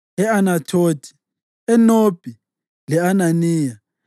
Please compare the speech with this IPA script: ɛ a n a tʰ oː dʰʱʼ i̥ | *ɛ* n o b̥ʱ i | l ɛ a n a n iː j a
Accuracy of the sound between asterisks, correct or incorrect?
correct